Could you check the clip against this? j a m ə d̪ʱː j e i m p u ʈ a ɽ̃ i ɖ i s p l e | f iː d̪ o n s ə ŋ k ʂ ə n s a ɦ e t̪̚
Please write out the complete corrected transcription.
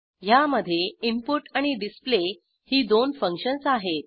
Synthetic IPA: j a m ə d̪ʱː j e i m p u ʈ a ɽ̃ i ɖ i s p l e | h iː d̪ o n f ə ŋ k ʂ ə n s a ɦ e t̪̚